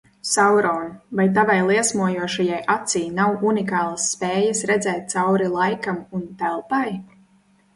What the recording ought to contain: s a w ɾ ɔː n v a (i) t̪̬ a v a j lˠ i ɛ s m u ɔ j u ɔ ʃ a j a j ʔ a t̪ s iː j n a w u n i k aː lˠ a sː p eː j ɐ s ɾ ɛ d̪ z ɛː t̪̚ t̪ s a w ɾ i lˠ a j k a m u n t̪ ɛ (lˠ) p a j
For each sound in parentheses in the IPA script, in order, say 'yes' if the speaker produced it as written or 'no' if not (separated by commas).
no, yes